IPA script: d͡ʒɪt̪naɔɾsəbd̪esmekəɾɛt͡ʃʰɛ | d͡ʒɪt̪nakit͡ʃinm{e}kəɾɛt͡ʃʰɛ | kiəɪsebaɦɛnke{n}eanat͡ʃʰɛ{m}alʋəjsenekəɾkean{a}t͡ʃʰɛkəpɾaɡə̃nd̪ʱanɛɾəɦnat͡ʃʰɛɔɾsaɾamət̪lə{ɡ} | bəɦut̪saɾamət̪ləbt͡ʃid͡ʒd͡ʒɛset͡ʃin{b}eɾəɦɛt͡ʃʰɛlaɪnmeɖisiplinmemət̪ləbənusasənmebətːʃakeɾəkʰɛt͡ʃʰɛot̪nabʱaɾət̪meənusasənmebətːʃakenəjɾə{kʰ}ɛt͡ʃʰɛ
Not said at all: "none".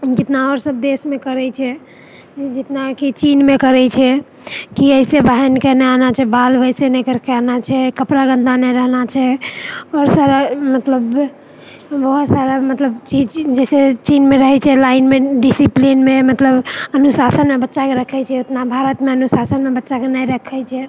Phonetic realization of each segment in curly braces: e, n, b, a, b, m, kʰ

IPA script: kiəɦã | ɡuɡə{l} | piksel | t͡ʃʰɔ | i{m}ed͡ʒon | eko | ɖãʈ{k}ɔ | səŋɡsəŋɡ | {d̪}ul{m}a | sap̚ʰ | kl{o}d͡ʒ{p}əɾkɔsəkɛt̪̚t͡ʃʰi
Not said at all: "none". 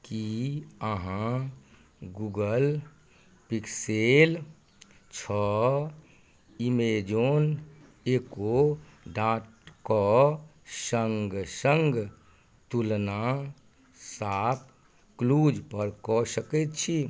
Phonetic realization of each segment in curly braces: l, m, k, t̪, n, u, p

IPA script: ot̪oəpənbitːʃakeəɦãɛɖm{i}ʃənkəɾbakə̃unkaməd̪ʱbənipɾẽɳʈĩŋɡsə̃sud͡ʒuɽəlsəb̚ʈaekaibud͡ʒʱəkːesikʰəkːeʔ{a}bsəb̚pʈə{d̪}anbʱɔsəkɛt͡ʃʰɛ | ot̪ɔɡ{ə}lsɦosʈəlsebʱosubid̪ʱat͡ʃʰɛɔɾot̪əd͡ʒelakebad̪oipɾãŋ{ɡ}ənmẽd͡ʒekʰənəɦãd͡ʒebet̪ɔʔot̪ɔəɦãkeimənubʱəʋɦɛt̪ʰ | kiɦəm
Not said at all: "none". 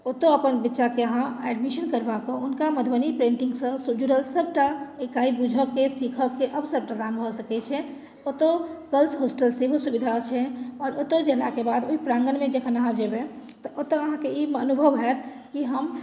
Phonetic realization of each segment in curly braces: i, ə, d̪, ə, ɡ

